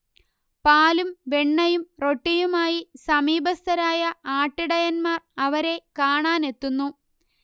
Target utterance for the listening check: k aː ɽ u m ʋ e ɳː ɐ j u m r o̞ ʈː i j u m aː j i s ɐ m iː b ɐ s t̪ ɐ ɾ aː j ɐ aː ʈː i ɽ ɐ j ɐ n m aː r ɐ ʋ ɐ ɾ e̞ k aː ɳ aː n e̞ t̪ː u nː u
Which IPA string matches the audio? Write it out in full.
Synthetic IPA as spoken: p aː l u m ʋ e ɳː ɐ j u m r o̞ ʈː i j u m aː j i s ɐ m iː b ɐ s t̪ ɐ ɾ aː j ɐ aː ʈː i ɽ ɐ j ɐ n m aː r ɐ ʋ ɐ ɾ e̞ k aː ɳ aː n e̞ t̪ː u nː u